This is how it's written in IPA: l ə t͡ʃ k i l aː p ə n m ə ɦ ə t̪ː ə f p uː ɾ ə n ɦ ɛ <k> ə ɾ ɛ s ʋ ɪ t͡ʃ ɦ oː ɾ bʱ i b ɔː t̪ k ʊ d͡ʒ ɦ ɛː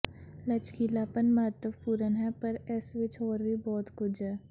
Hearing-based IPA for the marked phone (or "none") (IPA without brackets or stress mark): p